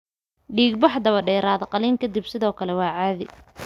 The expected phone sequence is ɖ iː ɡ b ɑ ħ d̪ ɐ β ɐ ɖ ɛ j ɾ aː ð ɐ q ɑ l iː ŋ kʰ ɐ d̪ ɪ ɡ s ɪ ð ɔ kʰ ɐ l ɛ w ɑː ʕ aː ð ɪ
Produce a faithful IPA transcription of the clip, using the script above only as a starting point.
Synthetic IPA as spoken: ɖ iː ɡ b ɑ ħ d̪ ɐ β ɐ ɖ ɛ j ɾ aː ð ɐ q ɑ l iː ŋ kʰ ɐ d̪ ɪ b s ɪ ð ɔː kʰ ɐ l ɛ w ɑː ʕ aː ð ɪ